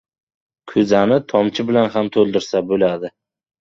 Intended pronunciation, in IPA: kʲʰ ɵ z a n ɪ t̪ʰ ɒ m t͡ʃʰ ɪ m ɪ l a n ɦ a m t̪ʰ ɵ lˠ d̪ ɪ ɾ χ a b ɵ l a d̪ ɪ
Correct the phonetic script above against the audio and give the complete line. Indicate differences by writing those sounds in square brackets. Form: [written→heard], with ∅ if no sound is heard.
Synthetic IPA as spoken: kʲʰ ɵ z a n ɪ t̪ʰ ɒ m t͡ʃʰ ɪ [m→b] ɪ l a n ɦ a m t̪ʰ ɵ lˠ d̪ ɪ ɾ [χ→s] a b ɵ l a d̪ ɪ